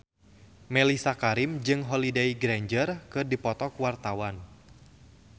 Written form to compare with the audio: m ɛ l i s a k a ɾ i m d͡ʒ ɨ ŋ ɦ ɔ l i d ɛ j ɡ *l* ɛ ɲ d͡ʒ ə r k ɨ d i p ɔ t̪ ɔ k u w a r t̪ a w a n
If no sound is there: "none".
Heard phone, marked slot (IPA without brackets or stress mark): ɾ